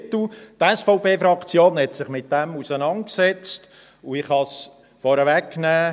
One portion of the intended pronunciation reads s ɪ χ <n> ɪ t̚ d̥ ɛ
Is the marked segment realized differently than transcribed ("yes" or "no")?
yes